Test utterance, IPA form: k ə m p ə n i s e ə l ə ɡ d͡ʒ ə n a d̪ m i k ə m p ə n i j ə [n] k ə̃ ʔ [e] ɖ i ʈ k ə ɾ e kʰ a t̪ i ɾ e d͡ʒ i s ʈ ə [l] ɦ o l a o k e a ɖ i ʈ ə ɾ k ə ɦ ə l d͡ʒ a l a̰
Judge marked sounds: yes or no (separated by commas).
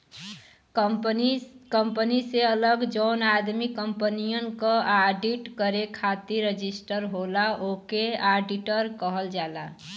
yes, no, no